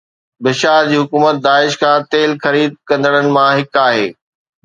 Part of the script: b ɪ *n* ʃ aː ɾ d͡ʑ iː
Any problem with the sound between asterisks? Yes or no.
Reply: yes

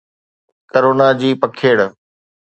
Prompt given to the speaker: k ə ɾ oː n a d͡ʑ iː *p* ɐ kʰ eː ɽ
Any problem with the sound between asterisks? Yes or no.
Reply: no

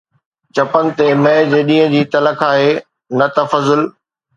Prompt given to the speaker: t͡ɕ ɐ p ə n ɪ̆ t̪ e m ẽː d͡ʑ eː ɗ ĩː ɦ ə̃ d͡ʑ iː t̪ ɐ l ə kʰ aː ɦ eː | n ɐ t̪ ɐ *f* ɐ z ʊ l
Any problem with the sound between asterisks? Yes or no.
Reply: no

